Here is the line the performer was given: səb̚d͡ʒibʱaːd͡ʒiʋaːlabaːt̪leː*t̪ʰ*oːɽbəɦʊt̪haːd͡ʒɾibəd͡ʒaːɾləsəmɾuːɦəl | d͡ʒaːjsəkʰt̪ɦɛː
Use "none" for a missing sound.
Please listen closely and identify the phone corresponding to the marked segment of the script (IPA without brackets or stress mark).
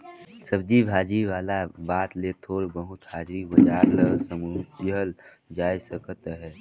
t̪ʰ